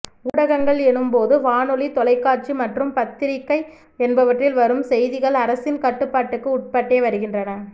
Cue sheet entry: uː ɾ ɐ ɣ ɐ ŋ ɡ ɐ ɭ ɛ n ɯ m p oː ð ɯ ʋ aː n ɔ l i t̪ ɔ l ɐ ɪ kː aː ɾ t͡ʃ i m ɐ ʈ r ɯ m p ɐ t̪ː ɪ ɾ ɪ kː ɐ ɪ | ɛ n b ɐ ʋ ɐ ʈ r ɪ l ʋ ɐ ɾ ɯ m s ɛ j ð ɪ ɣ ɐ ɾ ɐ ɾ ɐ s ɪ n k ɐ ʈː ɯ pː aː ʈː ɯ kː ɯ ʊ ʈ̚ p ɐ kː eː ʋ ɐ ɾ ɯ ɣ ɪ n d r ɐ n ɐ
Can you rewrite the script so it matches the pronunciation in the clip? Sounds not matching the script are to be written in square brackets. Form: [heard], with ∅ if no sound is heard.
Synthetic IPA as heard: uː [ɽ] ɐ ɣ ɐ ŋ ɡ ɐ ɭ ɛ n ɯ m p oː ð ɯ ʋ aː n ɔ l i t̪ ɔ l ɐ ɪ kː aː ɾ t͡ʃ i m ɐ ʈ r ɯ m p ɐ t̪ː ɪ ɾ ɪ kː ɐ ɪ | ɛ n b ɐ ʋ ɐ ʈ r ɪ l ʋ ɐ ɾ ɯ m s ɛ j ð ɪ ɣ ɐ [ɭ] ɐ ɾ ɐ s ɪ n k ɐ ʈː ɯ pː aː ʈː ɯ kː ɯ ʊ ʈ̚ p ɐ [ʈː] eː ʋ ɐ ɾ ɯ ɣ ɪ n d r ɐ n ɐ